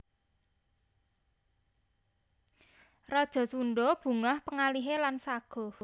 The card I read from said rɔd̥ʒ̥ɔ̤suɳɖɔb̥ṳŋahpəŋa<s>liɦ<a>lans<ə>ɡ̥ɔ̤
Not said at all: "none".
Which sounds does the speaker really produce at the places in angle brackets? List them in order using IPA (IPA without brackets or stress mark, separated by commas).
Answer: none, e, a